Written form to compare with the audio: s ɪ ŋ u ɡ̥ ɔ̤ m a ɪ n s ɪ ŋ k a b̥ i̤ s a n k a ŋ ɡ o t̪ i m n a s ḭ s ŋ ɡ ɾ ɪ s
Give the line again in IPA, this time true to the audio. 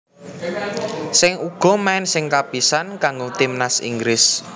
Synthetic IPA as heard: s ɪ ŋ u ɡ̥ ɔ̤ m a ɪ n s ɪ ŋ k a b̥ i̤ s a n k a ŋ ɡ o t̪ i m n a s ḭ ŋ ɡ ɾ ɪ s

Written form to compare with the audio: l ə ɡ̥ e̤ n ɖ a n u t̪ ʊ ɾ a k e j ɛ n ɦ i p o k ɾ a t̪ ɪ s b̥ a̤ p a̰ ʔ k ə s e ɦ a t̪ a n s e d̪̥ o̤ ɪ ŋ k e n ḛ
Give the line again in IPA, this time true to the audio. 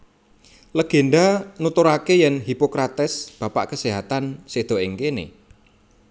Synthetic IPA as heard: l ə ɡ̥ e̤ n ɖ a n u t̪ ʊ ɾ a k e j ɛ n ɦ i p o k ɾ a t̪ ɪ s b̥ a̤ p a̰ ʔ k ə s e ɦ a t̪ a n s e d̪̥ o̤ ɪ ŋ k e n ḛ

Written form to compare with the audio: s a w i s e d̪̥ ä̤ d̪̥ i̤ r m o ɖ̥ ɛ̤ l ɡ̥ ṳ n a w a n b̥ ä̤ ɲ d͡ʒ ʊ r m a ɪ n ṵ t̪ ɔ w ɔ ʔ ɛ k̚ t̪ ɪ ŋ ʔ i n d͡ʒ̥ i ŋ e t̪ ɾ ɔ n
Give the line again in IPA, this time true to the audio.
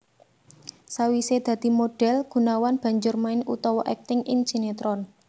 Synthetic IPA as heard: s a w i s e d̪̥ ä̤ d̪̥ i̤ m o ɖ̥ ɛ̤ l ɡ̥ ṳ n a w a n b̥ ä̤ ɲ d͡ʒ ʊ r m a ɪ n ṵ t̪ ɔ w ɔ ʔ ɛ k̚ t̪ ɪ ŋ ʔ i n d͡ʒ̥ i n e t̪ ɾ ɔ n

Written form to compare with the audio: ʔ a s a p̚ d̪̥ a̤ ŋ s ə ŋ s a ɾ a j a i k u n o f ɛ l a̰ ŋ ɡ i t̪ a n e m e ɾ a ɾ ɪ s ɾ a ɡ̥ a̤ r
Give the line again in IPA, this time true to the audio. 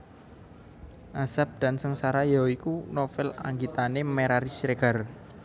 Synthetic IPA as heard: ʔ a s a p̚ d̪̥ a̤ n s ə ŋ s a ɾ a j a i k u n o f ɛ l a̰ ŋ ɡ i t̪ a n e m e ɾ a ɾ i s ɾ e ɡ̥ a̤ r

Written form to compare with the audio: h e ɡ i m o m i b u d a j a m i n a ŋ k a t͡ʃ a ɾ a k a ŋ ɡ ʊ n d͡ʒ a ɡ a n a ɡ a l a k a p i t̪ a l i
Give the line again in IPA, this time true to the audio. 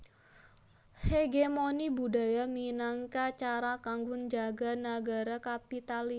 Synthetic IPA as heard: h e ɡ e m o n i b u d a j a m i n a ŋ k a t͡ʃ a ɾ a k a ŋ ɡ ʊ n d͡ʒ a ɡ a n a ɡ a ɾ a k a p i t̪ a l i

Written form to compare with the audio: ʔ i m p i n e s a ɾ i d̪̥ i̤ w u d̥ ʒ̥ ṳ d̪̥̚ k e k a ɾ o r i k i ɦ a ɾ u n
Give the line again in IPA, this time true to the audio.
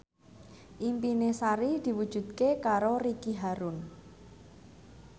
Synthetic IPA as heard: ʔ i m p i n e s a ɾ i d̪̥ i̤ w u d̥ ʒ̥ ṳ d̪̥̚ k e k a ɾ o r i k i ɦ a ɾ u n

